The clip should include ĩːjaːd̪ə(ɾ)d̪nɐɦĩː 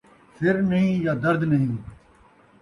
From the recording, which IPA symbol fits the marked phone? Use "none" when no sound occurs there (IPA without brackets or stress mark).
ɾ